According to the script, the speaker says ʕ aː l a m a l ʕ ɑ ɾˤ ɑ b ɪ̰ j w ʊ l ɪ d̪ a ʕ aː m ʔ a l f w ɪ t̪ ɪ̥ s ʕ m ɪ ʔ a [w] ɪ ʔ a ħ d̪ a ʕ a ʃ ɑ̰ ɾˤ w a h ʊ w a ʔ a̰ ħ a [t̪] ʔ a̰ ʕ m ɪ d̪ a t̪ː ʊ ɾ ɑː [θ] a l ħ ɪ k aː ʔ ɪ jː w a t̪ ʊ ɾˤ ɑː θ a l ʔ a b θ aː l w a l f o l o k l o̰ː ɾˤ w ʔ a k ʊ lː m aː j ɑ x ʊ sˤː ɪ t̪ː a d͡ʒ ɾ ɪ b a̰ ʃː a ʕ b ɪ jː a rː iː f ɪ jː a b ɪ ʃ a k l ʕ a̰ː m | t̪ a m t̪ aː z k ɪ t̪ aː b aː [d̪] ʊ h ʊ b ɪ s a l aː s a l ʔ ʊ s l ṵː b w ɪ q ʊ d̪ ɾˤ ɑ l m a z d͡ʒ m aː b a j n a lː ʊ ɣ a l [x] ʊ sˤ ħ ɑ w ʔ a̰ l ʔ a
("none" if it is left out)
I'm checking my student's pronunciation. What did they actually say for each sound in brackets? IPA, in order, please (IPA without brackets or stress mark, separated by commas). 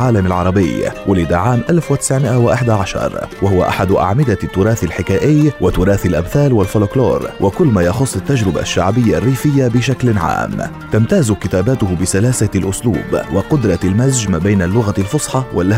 w, d̪, θ, t̪, f